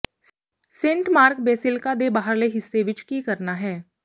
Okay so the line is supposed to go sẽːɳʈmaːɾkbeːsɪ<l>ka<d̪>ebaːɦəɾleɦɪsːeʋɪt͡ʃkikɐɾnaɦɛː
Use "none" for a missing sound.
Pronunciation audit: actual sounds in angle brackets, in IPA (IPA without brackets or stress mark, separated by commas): l, d̪